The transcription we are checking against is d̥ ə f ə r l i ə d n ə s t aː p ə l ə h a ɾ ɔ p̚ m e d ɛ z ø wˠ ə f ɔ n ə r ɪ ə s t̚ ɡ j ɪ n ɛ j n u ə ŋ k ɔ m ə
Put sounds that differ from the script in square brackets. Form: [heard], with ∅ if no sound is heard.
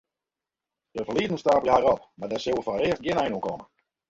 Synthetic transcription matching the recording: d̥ ə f ə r l i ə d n ə s t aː p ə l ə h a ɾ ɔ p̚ m [a] d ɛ [s] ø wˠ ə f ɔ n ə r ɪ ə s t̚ ɡ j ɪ n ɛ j n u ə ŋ k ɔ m ə